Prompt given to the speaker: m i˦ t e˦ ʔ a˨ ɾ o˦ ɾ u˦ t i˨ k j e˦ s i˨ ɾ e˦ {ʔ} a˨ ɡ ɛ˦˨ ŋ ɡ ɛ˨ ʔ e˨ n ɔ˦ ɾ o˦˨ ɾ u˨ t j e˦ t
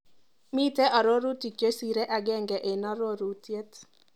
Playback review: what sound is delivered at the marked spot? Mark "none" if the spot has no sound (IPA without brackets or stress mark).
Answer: ʔ